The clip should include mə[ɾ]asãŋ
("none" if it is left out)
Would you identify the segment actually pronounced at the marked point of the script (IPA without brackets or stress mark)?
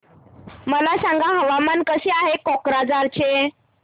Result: l